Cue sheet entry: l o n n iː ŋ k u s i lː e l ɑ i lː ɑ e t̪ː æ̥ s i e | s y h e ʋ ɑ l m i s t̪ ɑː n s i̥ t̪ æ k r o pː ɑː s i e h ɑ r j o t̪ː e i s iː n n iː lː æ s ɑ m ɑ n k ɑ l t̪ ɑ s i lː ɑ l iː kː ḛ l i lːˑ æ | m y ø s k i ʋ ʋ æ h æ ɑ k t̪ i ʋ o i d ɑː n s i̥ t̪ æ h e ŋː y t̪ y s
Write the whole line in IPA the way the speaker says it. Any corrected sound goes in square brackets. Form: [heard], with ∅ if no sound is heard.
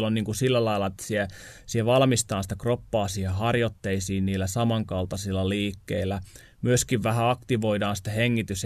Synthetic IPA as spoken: l o n n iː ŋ k u s i lː [æ] l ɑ i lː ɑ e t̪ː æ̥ s i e | s [i] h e ʋ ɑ l m i s t̪ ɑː n s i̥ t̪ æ k r o pː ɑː s i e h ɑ r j o t̪ː e i s iː n n iː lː æ s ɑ m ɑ [ŋ] k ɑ l t̪ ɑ s i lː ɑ l iː kː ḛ [∅] i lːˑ æ | m y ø s k i ʋ ʋ æ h æ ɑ k t̪ i ʋ o i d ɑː n s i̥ t̪ æ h e ŋː [i] t̪ y s